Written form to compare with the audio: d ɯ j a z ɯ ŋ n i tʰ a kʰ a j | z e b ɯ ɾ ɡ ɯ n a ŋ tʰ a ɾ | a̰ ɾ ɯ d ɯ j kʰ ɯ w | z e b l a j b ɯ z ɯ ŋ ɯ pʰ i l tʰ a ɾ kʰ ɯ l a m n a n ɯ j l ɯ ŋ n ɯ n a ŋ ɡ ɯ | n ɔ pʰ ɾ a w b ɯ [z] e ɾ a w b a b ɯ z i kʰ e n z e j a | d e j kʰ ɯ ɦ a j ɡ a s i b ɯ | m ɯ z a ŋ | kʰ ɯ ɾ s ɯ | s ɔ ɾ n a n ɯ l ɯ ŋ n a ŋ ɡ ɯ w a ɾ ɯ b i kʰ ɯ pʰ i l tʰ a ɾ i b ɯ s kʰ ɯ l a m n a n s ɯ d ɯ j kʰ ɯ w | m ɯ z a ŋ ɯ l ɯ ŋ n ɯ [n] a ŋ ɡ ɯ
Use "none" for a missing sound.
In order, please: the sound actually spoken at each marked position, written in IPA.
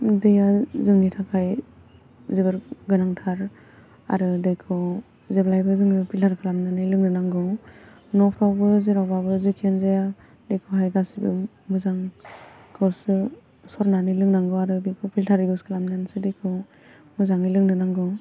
z, n

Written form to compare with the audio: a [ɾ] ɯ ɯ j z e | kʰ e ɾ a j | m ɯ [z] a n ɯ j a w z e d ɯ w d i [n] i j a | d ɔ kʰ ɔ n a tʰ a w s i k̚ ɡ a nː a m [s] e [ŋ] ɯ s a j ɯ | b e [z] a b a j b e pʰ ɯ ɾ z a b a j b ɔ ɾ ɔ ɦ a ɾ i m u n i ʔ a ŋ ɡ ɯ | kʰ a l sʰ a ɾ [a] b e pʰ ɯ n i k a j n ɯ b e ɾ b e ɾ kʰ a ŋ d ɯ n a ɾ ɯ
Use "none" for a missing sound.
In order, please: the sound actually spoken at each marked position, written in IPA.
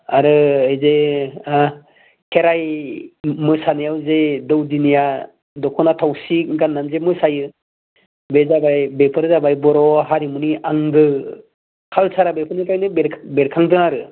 ɾ, s, n, z, m, z, a

